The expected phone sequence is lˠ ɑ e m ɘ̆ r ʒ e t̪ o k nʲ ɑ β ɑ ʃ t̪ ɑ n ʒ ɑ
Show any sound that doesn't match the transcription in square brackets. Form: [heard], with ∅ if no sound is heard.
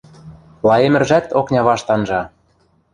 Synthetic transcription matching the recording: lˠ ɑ e m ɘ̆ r ʒ [æ] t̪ o k nʲ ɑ β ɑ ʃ t̪ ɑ n ʒ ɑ